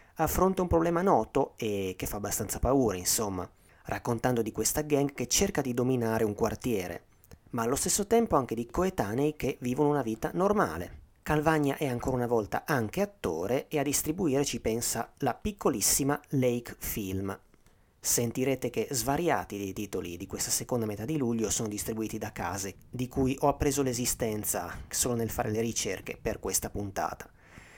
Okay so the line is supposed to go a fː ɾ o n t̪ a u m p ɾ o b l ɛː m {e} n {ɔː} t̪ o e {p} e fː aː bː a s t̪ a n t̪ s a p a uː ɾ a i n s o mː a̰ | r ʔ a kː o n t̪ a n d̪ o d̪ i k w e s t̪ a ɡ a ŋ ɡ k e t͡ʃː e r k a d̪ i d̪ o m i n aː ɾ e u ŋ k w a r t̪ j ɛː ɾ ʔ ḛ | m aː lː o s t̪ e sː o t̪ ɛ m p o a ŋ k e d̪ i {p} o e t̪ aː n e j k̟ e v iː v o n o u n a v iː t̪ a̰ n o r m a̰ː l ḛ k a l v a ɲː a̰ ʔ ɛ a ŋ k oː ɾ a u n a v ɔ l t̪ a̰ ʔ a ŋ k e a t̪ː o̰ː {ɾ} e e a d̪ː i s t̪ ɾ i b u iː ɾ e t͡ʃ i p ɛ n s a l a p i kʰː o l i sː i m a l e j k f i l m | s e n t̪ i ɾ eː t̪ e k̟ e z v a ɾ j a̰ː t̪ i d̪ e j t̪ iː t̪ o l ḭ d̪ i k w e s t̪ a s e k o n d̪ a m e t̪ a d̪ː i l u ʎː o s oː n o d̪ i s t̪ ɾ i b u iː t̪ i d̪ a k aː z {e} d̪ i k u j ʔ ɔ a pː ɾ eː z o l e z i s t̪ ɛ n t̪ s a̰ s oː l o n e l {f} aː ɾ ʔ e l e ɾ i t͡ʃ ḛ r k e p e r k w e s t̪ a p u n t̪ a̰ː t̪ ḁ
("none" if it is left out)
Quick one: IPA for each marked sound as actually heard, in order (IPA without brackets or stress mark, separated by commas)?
a, ɔː, k, k, ɾ, e, f